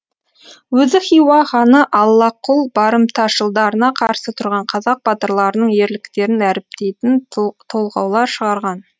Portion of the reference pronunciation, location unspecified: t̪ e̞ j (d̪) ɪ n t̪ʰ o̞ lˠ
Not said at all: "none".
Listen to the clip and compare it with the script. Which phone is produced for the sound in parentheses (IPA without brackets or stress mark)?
t̪